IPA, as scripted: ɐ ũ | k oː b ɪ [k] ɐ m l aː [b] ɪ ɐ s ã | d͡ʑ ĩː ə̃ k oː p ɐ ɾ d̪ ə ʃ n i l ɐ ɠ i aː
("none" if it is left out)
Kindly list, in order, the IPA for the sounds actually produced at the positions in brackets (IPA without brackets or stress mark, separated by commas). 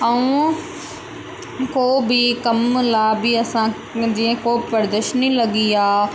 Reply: k, b